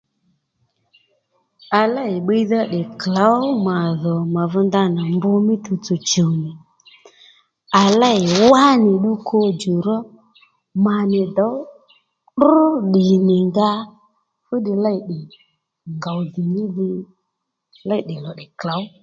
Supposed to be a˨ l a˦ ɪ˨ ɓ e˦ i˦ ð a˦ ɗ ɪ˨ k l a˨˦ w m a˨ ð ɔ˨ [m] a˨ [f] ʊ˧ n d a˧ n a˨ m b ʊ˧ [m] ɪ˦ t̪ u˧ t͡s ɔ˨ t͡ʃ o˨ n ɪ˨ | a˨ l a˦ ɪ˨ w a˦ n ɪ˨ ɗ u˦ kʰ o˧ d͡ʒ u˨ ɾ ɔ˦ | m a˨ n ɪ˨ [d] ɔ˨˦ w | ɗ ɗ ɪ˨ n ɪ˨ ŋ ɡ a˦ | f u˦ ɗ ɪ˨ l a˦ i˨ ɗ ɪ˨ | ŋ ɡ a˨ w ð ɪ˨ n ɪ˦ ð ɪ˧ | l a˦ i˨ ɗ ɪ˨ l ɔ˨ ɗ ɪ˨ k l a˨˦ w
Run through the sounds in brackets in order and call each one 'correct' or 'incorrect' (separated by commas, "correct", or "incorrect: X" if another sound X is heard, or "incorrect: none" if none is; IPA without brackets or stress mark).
correct, incorrect: v, correct, correct